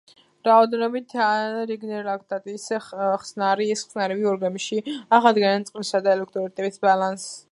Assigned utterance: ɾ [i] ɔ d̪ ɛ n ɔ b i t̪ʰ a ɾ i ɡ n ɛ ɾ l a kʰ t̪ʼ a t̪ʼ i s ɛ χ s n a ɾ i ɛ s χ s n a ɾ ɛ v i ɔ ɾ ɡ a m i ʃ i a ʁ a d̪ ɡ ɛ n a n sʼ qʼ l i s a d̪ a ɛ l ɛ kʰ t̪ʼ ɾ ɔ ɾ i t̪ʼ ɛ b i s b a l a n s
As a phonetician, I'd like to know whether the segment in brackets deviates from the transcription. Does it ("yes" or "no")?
yes